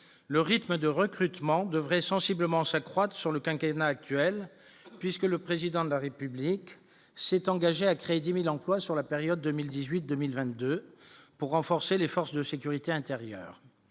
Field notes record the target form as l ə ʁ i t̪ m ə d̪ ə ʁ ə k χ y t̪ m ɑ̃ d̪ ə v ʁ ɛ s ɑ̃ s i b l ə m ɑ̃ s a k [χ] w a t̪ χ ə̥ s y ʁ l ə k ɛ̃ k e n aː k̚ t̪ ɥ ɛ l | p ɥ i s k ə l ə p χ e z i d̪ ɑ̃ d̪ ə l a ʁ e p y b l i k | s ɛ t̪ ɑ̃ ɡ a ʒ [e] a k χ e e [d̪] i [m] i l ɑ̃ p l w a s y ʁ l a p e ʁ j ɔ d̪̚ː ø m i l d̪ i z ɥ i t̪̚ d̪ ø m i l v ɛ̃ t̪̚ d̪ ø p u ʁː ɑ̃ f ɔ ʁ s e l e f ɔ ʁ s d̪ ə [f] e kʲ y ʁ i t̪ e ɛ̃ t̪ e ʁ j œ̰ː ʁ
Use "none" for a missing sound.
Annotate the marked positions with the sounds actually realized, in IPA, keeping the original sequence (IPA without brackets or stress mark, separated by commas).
χ, e, d̪, m, s